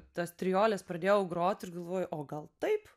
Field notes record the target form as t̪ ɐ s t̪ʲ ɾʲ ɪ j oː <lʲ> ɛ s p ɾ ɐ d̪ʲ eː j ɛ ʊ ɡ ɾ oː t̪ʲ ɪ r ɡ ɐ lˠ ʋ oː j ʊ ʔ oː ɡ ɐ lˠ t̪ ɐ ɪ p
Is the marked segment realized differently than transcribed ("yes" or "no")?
no